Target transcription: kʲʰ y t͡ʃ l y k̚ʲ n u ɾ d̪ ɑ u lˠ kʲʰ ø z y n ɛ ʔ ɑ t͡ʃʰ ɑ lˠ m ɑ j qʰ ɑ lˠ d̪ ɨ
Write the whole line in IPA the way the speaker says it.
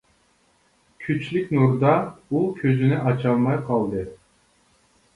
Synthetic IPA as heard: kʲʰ y t͡ʃ l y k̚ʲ n u ɾ d̪ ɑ u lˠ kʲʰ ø z y n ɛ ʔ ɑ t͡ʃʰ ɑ lˠ m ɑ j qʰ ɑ lˠ d̪ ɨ

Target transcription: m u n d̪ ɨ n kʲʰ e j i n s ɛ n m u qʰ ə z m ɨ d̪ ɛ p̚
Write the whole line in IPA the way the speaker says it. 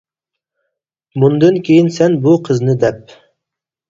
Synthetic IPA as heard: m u n d̪ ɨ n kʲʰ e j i n s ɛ n b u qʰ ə z n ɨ d̪ ɛ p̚

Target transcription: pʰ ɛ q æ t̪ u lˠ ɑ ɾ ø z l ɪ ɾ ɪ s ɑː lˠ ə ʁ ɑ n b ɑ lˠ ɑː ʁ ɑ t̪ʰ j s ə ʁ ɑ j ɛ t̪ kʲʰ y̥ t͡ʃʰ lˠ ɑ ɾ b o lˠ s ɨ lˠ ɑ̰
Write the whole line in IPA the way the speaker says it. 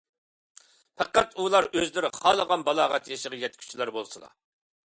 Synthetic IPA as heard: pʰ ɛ q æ t̪ u lˠ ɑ ɾ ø z l ɪ ɾ ɪ χ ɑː lˠ ə ʁ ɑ n b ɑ lˠ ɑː ʁ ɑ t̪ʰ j ʃ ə ʁ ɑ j ɛ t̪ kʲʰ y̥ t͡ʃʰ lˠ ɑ ɾ b o lˠ s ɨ lˠ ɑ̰

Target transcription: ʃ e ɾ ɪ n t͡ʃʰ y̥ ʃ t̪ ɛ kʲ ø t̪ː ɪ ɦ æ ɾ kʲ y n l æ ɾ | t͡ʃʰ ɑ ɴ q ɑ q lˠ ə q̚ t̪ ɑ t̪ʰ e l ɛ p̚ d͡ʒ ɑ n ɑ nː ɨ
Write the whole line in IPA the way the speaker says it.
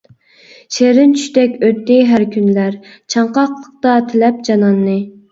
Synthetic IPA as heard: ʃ e ɾ ɪ n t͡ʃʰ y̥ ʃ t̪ ɛ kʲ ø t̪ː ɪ ɦ æ ɾ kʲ y n l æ ɾ | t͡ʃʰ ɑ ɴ q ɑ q lˠ ə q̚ t̪ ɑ t̪ʰ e l ɛ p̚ d͡ʒ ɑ n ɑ nː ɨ

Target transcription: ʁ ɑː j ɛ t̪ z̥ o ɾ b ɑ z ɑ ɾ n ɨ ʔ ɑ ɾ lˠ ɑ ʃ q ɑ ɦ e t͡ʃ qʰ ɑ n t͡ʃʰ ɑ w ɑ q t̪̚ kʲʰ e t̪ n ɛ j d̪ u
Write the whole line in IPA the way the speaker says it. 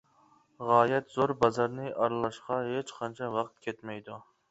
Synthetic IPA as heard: ʁ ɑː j ɛ t̪ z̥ o ɾ b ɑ z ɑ ɾ n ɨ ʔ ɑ ɾ lˠ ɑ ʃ q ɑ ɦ e t͡ʃ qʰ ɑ n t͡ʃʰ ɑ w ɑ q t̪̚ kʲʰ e t̪ m ɛ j d̪ u

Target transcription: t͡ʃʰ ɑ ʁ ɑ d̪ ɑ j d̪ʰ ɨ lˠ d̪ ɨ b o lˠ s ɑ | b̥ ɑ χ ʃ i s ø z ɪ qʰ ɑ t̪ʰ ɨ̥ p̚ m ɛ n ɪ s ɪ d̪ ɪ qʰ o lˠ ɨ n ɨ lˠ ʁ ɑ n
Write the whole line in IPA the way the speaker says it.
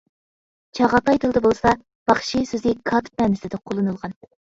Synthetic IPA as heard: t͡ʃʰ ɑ ʁ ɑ t̪ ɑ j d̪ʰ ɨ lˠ d̪ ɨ b o lˠ s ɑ | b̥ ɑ χ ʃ i s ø z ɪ kʰ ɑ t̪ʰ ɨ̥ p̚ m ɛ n ɪ s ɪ d̪ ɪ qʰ o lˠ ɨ n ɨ lˠ ʁ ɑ n

